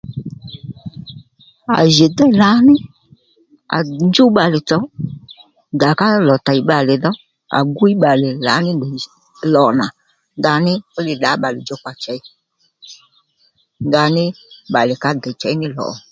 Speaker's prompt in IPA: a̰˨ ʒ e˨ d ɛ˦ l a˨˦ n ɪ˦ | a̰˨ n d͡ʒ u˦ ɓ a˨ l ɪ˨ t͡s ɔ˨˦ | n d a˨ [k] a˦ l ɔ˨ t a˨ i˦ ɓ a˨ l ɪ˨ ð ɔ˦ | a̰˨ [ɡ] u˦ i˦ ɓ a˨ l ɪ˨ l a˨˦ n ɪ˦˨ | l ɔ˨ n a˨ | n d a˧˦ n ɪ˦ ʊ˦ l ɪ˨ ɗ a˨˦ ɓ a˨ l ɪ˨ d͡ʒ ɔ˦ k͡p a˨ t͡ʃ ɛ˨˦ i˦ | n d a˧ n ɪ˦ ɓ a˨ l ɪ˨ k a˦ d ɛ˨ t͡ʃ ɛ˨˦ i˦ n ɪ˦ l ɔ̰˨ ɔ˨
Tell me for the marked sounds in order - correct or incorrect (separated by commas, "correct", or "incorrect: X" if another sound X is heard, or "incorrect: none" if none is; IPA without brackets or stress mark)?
correct, correct